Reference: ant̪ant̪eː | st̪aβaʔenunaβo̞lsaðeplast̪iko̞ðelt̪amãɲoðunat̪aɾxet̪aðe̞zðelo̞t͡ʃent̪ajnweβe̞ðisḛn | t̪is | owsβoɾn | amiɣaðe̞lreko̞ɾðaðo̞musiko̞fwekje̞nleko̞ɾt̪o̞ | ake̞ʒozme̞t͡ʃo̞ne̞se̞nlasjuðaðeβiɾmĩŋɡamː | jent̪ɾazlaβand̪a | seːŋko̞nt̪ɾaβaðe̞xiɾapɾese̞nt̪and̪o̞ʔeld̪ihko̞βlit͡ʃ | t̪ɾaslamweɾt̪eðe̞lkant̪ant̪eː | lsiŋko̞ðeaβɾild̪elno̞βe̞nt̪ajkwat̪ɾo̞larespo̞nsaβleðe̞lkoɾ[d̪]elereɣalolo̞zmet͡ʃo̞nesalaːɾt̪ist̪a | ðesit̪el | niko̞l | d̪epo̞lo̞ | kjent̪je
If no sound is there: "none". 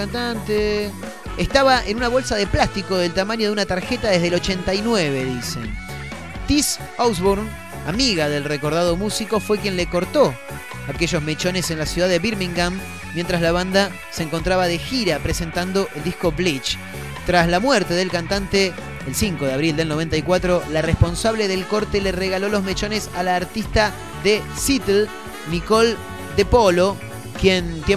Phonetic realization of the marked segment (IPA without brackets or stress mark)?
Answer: t̪